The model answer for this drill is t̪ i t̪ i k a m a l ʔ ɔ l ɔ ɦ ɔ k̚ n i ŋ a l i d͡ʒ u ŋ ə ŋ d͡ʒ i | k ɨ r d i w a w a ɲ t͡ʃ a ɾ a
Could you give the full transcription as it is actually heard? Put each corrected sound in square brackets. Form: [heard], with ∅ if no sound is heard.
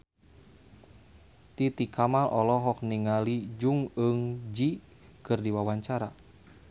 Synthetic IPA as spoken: t̪ i t̪ i k a m a l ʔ ɔ l ɔ ɦ ɔ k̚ n i ŋ a l i d͡ʒ u ŋ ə ŋ d͡ʒ i | k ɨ r d i w a w a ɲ t͡ʃ a ɾ a